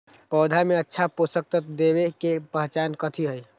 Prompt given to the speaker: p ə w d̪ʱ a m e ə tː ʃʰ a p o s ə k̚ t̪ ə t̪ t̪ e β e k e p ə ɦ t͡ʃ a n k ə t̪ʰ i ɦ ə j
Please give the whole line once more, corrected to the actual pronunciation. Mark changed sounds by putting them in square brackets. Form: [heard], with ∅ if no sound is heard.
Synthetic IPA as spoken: p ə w d̪ʱ a m e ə tː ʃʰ a p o s ə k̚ t̪ ə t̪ [d̪] e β e k e p ə ɦ t͡ʃ a n k ə t̪ʰ i ɦ ə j